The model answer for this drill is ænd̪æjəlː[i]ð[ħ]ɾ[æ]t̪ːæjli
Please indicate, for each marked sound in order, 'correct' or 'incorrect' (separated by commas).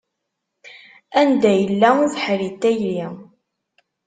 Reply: incorrect, correct, incorrect